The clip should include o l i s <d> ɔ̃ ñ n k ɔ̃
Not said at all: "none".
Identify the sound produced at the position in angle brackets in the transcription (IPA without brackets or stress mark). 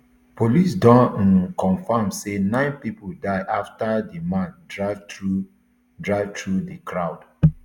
d